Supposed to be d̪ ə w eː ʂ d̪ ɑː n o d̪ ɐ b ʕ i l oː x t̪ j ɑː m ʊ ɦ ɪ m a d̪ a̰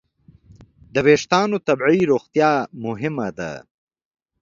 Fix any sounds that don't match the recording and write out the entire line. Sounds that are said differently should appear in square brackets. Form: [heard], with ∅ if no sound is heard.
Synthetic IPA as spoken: d̪ ə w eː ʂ [t̪] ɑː n o [t̪] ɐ b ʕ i [ɾ] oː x t̪ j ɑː m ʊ ɦ ɪ m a d̪ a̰